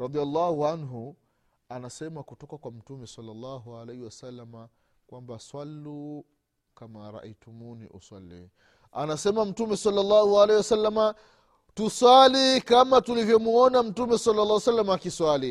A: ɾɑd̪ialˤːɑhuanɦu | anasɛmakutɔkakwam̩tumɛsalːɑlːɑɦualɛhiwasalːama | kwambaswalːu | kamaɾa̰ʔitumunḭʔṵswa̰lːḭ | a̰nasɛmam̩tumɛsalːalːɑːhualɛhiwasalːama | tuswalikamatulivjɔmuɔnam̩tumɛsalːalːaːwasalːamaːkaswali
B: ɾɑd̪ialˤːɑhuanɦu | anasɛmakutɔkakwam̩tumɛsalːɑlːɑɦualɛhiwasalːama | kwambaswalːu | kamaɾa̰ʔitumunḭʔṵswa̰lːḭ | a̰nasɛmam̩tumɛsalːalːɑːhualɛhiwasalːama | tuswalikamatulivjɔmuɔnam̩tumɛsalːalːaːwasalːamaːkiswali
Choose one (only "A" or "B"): B